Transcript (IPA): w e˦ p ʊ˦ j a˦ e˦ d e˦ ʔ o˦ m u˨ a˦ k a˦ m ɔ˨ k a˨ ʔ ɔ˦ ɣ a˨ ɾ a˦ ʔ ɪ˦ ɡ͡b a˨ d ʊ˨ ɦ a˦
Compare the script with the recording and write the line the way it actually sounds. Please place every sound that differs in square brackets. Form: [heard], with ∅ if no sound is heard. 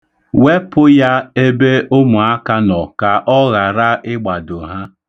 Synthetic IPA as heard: w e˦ p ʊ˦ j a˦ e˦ [b] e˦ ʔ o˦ m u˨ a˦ k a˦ [n] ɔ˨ k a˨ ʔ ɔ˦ ɣ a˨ ɾ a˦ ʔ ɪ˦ ɡ͡b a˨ d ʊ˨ ɦ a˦